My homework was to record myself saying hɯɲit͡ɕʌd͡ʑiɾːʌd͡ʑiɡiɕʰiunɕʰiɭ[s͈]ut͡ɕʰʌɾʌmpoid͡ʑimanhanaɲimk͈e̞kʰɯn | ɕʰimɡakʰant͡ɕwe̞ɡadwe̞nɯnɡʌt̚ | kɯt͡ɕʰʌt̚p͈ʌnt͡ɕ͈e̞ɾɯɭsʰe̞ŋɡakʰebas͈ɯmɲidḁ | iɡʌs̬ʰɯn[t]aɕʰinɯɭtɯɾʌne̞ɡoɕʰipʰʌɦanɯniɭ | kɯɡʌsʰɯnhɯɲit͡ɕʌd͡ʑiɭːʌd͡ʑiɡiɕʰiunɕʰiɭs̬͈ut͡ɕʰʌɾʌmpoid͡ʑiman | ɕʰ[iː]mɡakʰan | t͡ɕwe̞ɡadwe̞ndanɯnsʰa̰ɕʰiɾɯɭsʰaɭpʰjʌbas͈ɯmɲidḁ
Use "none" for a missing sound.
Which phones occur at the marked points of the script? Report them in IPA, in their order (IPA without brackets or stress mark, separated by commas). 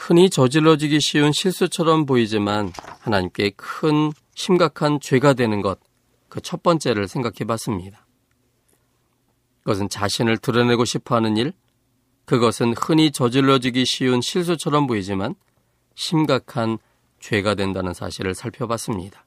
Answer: s͈, t͡ɕ, i